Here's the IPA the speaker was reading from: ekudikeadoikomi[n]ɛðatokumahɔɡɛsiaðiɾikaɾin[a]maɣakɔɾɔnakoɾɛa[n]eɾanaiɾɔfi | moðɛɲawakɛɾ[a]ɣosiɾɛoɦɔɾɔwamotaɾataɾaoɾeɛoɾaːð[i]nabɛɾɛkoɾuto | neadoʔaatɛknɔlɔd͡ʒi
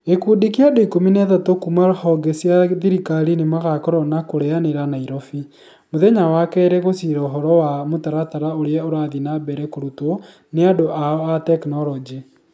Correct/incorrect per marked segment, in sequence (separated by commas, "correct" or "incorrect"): correct, incorrect, correct, incorrect, correct